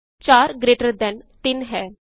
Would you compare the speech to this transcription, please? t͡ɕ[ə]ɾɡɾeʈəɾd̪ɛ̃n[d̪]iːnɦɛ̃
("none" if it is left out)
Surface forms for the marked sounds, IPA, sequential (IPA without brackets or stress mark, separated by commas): a, t̪